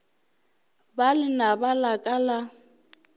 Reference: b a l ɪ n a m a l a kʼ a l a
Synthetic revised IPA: b a l ɪ n a b a l a kʼ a l a